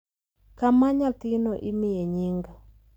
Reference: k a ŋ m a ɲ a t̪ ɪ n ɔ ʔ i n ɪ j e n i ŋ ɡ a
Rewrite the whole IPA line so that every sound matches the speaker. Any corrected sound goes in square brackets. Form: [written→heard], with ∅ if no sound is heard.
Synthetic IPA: k a [ŋ→∅] m a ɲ a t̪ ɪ n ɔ ʔ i [n→m] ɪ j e [n→ɲ] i ŋ ɡ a